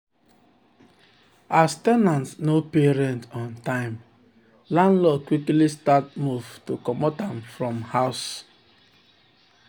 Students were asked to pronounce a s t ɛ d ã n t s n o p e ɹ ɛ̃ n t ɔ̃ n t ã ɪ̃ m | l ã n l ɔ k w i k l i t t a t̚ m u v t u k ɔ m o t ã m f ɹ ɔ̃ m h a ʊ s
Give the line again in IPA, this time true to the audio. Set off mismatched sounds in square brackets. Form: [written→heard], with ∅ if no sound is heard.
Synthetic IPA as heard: a s t ɛ [d→n] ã n t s n o p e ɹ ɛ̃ n t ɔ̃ n t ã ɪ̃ m | l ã n l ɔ k w i k l i [t→s] t a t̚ m u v t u k ɔ m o t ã m f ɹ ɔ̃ m h a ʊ s